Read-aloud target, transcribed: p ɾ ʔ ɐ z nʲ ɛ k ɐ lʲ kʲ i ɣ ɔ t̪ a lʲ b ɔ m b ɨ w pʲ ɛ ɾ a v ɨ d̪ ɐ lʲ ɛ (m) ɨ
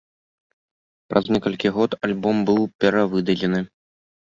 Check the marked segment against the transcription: incorrect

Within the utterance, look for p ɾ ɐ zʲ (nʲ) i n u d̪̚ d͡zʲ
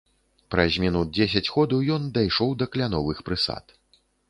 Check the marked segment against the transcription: incorrect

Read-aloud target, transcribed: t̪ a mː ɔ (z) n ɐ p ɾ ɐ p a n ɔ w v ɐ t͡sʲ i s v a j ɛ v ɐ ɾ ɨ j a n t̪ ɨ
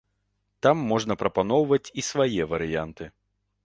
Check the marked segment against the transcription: incorrect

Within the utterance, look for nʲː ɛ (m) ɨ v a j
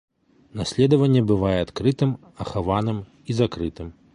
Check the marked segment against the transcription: incorrect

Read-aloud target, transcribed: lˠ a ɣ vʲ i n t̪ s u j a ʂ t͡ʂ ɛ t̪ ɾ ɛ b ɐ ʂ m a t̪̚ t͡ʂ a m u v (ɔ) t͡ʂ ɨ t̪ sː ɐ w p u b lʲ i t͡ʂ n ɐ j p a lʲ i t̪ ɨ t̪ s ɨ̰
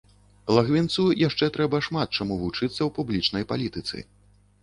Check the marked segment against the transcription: incorrect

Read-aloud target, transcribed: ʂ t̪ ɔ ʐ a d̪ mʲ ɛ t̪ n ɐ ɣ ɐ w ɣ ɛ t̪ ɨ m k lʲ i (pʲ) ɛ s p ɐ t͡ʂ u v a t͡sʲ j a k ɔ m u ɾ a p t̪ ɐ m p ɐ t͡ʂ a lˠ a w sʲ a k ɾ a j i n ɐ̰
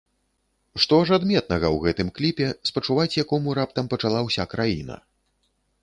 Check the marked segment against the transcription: correct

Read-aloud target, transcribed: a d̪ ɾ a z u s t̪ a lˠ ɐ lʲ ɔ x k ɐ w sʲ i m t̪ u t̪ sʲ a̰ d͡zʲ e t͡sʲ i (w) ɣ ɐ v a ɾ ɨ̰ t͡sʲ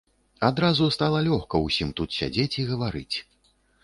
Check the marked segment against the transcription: incorrect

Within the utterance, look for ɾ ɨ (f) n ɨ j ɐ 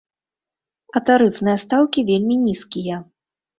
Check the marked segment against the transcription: correct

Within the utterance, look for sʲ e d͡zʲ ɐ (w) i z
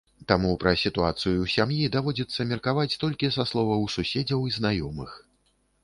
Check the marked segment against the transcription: correct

